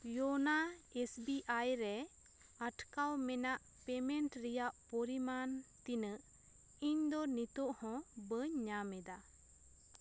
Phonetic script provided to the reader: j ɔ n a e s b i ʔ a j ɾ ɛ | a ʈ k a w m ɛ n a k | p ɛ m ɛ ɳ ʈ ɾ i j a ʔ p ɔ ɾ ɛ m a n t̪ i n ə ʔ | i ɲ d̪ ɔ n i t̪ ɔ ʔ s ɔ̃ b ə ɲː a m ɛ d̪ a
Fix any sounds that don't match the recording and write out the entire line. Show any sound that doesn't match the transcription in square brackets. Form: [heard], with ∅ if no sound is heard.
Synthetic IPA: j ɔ n a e s b i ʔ a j ɾ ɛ | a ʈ k a w m ɛ n a [ʔ] | p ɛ m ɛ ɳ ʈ ɾ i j a ʔ p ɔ ɾ [i] m a n t̪ i n ə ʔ | i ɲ d̪ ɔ n i t̪ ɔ ʔ [h] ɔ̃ b ə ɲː a m ɛ d̪ a